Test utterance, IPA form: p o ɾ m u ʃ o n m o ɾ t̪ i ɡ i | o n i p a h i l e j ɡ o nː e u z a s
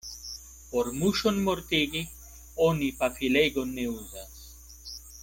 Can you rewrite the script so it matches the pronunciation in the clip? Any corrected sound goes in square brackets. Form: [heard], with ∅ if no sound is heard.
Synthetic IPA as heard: p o ɾ m u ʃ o n m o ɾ t̪ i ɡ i | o n i p a [f] i l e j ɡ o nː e u z a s